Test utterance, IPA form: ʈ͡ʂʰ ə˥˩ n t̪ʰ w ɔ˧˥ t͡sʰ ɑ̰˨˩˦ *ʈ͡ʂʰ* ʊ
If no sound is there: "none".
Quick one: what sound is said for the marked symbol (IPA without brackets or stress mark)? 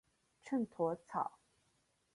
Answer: none